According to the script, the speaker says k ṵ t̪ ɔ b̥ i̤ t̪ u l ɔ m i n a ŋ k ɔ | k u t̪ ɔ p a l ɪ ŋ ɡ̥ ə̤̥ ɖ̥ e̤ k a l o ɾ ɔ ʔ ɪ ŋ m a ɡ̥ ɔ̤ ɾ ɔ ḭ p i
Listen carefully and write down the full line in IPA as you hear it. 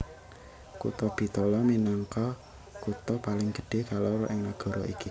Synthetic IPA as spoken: k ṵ t̪ ɔ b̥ i̤ t̪ ɔ l ɔ m i n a ŋ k ɔ | k u t̪ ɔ p a l ɪ ŋ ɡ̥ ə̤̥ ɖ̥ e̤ k a l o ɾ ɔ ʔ ɪ ŋ n a ɡ̥ ɔ̤ ɾ ɔ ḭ k i